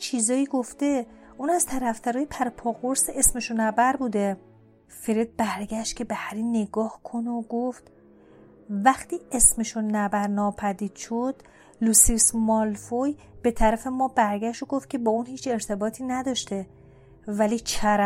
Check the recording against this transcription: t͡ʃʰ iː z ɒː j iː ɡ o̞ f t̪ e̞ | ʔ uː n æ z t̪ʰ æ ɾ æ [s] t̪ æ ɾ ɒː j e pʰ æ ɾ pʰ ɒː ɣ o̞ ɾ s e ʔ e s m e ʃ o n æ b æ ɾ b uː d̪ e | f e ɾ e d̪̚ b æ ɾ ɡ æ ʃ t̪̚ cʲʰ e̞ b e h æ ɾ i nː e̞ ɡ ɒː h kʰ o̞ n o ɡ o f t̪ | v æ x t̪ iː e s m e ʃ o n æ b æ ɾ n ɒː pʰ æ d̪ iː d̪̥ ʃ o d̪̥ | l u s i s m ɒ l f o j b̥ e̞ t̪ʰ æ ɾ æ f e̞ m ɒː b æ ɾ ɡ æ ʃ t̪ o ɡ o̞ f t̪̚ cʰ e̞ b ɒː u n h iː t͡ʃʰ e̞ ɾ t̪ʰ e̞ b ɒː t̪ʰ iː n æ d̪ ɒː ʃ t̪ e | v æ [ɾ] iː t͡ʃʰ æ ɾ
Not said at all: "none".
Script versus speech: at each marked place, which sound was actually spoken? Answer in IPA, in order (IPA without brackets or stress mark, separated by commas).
f, l